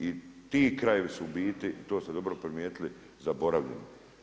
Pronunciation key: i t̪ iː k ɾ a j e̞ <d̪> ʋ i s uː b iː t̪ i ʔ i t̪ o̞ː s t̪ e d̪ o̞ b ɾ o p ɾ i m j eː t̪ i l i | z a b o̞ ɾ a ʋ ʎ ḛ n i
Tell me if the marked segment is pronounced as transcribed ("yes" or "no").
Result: no